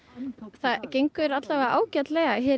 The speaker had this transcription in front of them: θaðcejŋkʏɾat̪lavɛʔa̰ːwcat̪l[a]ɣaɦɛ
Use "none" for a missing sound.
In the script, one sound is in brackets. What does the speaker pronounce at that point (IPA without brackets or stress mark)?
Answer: ɛ